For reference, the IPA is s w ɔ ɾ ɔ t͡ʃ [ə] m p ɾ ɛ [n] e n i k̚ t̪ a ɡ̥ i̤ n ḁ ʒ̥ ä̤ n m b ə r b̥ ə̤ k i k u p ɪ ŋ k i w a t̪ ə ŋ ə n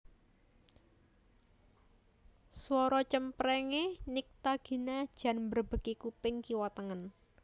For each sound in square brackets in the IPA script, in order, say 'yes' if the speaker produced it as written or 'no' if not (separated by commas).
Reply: yes, no